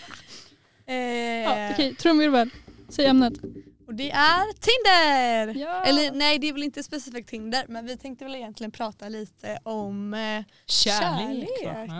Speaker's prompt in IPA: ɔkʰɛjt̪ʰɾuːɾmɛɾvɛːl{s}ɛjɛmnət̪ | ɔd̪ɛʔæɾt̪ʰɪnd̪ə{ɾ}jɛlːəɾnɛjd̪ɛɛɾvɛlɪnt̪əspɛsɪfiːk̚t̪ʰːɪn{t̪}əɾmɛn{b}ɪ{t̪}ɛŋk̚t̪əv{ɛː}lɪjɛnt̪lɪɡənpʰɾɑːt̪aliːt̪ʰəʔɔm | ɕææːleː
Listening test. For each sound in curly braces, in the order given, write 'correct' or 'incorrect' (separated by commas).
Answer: correct, correct, incorrect, incorrect, incorrect, incorrect